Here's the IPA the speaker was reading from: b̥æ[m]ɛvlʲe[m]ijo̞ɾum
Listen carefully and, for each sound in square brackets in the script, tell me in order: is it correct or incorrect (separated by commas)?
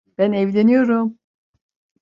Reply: incorrect, incorrect